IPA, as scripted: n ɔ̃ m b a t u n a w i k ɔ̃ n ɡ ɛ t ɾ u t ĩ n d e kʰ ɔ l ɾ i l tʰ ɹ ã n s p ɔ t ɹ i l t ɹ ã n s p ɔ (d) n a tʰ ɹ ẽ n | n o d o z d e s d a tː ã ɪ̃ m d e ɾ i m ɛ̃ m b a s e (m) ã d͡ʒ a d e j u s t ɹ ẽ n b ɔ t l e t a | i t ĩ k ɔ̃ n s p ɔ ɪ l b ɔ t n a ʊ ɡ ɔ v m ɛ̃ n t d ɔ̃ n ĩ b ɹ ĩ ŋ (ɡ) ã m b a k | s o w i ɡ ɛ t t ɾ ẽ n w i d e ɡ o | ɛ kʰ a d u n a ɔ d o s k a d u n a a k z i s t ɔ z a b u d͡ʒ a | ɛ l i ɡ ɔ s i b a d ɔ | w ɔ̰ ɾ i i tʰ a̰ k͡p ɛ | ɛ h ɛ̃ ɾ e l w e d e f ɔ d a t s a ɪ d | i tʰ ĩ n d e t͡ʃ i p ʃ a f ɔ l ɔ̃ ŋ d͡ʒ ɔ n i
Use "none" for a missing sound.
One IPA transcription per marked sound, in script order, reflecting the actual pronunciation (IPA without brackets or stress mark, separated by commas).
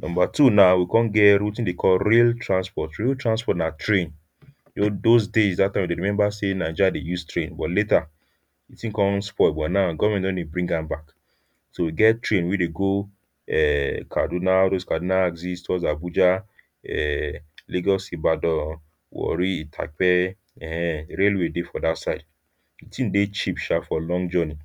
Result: t, n, ɡ